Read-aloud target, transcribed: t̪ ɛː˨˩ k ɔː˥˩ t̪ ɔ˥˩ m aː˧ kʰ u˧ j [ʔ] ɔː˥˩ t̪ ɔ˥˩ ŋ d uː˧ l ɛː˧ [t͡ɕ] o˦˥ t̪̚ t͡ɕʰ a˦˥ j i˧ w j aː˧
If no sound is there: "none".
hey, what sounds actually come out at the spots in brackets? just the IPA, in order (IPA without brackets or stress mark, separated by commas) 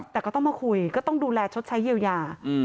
k, t͡ɕʰ